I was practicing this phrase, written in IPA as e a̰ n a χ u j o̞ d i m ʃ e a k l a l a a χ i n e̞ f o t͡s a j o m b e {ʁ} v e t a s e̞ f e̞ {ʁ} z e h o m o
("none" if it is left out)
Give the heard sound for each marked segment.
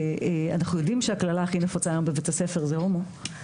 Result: none, ʁ

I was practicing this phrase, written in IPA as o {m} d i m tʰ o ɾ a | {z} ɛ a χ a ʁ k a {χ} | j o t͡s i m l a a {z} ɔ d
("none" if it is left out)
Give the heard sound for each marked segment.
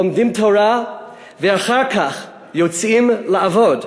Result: m, v, χ, v

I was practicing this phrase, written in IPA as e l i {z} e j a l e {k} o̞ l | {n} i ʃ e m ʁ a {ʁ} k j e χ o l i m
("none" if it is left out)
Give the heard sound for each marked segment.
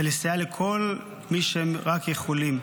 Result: s, kʰ, m, none

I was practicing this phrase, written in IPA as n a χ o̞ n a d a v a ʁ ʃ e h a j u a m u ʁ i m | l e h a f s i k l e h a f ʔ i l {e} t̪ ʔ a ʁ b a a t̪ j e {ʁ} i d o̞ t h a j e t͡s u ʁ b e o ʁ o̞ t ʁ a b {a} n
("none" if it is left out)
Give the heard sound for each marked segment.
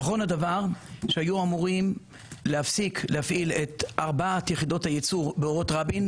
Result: e, χ, i

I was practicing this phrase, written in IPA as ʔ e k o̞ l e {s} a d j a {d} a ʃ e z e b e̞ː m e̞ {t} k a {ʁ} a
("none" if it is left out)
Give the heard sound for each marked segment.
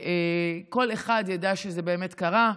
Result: χ, d, t, ʁ

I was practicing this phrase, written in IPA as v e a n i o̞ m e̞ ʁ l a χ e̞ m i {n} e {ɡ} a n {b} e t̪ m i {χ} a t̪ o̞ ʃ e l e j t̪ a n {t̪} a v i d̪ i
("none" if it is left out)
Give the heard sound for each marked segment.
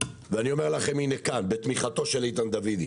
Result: n, k, b, χ, d̪

